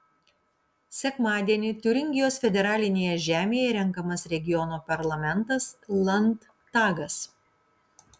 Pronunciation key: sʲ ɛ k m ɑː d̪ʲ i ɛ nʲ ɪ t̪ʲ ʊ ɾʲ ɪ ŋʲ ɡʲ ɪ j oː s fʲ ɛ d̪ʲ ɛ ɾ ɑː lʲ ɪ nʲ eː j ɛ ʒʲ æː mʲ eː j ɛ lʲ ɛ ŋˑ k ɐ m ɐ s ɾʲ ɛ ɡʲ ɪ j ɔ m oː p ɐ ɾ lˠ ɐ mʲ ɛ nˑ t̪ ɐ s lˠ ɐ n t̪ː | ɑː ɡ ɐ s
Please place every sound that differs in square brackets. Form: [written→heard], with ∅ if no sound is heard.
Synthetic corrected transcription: sʲ ɛ k m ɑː d̪ʲ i ɛ nʲ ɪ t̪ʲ ʊ ɾʲ ɪ ŋʲ ɡʲ ɪ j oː s fʲ ɛ d̪ʲ ɛ ɾ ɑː lʲ ɪ nʲ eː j ɛ ʒʲ æː mʲ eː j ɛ [lʲ→ɾʲ] ɛ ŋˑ k ɐ m ɐ s ɾʲ ɛ ɡʲ ɪ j ɔ [m→n] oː p ɐ ɾ lˠ ɐ mʲ ɛ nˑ t̪ ɐ s lˠ ɐ n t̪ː | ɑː ɡ ɐ s